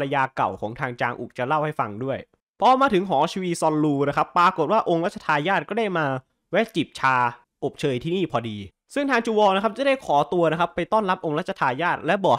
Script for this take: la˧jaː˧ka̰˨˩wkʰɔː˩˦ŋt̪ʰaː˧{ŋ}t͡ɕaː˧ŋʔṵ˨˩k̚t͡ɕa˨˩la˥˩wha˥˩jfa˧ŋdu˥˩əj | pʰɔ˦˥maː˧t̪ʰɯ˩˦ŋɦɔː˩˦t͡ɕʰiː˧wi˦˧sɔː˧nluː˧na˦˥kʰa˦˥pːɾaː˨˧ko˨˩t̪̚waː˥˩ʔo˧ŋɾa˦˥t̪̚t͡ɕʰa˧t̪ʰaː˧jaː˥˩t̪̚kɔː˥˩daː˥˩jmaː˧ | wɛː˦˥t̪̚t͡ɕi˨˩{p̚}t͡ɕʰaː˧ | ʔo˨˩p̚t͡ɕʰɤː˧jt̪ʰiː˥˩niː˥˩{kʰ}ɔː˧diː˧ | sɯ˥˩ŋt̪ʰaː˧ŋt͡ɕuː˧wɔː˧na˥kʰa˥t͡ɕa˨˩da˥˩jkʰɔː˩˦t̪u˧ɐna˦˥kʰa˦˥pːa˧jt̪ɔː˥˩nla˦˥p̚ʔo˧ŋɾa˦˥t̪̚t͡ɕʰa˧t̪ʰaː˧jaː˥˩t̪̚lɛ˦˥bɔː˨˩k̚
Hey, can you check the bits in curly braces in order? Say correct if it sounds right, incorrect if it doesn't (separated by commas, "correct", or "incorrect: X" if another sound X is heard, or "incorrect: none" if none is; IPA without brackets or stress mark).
correct, correct, incorrect: pʰ